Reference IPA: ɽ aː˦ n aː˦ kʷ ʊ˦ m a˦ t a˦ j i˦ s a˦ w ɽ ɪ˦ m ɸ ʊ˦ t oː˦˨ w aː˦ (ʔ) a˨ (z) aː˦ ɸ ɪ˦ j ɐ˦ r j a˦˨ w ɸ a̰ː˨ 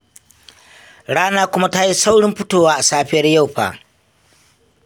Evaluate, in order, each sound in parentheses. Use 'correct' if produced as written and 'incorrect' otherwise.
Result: correct, incorrect: s

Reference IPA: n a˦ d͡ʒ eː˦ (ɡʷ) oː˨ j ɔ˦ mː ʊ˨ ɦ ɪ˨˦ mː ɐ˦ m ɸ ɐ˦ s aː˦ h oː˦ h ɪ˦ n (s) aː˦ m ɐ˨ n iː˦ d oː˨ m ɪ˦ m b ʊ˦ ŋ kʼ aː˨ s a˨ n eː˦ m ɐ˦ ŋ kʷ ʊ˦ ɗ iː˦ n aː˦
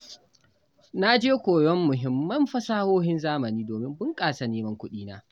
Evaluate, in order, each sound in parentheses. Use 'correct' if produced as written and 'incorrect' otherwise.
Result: incorrect: kʷ, incorrect: z

